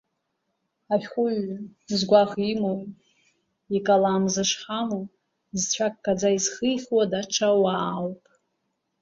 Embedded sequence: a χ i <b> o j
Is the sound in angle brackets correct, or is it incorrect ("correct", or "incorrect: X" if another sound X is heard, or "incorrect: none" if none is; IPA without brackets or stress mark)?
incorrect: m